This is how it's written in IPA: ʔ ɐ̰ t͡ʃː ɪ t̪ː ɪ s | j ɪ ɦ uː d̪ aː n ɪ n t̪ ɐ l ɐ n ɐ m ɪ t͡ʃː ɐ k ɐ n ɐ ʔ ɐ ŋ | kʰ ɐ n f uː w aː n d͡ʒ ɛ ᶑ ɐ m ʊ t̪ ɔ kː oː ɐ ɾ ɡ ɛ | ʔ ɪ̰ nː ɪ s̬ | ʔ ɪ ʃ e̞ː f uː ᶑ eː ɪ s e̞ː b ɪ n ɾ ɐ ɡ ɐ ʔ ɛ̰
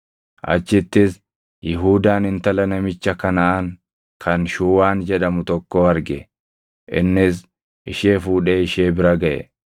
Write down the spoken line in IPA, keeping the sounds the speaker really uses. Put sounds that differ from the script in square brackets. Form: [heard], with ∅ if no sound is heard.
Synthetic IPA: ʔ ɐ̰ t͡ʃː ɪ t̪ː ɪ s | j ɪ ɦ uː d̪ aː n ɪ n t̪ ɐ l ɐ n ɐ m ɪ t͡ʃː ɐ k ɐ n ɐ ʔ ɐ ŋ | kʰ ɐ n [ʃ] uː w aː n d͡ʒ ɛ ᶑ ɐ m ʊ t̪ ɔ kː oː ɐ ɾ ɡ ɛ | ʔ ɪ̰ nː ɪ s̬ | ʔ ɪ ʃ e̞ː f uː ᶑ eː ɪ [ʃ] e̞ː b ɪ [∅] ɾ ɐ ɡ ɐ ʔ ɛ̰

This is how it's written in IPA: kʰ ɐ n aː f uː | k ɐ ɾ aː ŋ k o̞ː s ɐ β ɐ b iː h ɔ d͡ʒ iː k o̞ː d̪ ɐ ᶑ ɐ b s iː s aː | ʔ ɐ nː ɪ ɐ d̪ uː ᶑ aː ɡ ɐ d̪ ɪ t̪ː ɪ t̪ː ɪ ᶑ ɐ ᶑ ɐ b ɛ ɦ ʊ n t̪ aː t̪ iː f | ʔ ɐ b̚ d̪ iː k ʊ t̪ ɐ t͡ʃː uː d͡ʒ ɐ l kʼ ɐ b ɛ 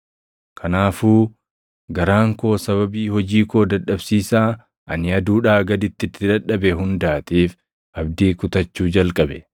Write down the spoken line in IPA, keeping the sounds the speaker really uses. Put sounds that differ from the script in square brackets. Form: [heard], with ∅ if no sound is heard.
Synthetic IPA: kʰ ɐ n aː f uː | [ɡ] ɐ ɾ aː ŋ k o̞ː s ɐ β ɐ b iː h ɔ d͡ʒ iː k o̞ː d̪ ɐ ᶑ ɐ b s iː s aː | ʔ ɐ [n] ɪ ɐ d̪ uː ᶑ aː ɡ ɐ d̪ ɪ t̪ː ɪ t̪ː ɪ ᶑ ɐ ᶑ ɐ b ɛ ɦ ʊ n [d̪] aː t̪ iː f | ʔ ɐ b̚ d̪ iː k ʊ t̪ ɐ t͡ʃː uː d͡ʒ ɐ l kʼ ɐ b ɛ

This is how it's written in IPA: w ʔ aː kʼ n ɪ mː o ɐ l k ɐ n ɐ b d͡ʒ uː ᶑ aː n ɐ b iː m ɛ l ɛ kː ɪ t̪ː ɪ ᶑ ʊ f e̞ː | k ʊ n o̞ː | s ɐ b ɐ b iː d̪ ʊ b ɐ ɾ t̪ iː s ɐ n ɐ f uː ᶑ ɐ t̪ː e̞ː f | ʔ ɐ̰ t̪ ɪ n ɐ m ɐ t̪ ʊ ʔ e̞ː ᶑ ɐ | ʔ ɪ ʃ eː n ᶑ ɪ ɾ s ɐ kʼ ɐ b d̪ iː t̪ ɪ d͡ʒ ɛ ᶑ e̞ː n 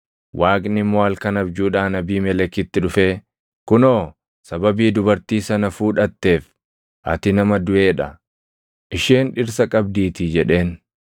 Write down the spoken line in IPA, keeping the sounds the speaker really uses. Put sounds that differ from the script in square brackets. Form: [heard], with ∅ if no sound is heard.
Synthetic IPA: w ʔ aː kʼ n ɪ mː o ɐ l k ɐ n ɐ b d͡ʒ uː ᶑ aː n ɐ b iː m ɛ l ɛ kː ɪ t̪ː ɪ ᶑ ʊ f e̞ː | k ʊ n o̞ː | s ɐ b ɐ b iː d̪ ʊ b ɐ ɾ t̪ iː s ɐ n ɐ f uː ᶑ ɐ t̪ː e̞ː f | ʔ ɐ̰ t̪ ɪ n ɐ m ɐ [d̪] ʊ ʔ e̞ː ᶑ ɐ | ʔ ɪ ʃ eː n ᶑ ɪ ɾ s ɐ kʼ ɐ b d̪ iː t̪ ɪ d͡ʒ ɛ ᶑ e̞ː n

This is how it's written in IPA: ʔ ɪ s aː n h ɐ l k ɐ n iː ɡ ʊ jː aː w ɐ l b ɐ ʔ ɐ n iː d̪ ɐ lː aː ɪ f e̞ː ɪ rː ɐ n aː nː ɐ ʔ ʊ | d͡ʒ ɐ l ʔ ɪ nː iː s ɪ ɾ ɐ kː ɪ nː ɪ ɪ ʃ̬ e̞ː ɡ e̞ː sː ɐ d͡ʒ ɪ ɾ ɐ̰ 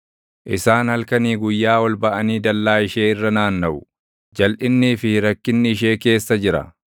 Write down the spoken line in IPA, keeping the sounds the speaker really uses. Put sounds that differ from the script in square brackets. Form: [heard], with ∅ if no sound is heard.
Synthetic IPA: ʔ ɪ s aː n h ɐ l k ɐ n iː ɡ ʊ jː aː w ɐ l b ɐ ʔ ɐ n iː d̪ ɐ lː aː ɪ [ʃ] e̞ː ɪ rː ɐ n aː nː ɐ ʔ ʊ | d͡ʒ ɐ l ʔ ɪ nː iː [f] ɪ ɾ ɐ kː ɪ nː ɪ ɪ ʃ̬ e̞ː [k] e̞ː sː ɐ d͡ʒ ɪ ɾ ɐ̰

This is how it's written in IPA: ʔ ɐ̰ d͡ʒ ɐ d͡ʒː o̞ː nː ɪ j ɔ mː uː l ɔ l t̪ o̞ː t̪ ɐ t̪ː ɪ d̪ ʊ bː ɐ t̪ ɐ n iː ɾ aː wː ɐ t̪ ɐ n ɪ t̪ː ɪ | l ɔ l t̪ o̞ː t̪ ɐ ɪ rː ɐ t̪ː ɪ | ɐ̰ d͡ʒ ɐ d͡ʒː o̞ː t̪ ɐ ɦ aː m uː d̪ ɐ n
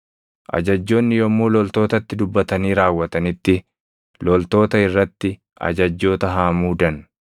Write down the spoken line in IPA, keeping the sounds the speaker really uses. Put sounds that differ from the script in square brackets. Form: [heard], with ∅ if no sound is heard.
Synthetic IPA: ʔ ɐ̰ d͡ʒ ɐ d͡ʒː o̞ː nː ɪ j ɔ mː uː l ɔ l t̪ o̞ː t̪ ɐ t̪ː ɪ d̪ ʊ bː ɐ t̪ ɐ n iː ɾ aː wː ɐ t̪ ɐ n ɪ t̪ː ɪ | l ɔ l t̪ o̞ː t̪ ɐ ɪ rː ɐ t̪ː ɪ | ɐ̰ d͡ʒ ɐ d͡ʒː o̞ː t̪ ɐ ɦ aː m uː d̪ ɐ n

